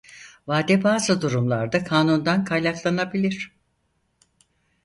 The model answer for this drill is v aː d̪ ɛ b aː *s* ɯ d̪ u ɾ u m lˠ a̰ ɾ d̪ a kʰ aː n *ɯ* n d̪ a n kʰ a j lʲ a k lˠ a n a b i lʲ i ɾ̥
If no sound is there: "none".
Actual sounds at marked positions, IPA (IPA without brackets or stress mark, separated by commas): z, u